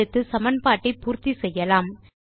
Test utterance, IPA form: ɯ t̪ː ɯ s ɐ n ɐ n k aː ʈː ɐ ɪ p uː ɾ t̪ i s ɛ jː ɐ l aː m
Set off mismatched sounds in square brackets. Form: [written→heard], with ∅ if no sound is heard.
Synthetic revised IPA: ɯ t̪ː ɯ s ɐ [n→m] ɐ n [k→p] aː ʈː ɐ ɪ p uː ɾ t̪ i s ɛ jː ɐ l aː m